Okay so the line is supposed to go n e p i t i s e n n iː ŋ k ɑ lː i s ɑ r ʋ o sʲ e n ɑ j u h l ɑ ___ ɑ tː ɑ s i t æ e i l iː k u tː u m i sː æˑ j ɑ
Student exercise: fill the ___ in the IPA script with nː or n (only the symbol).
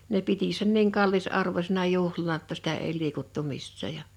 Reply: n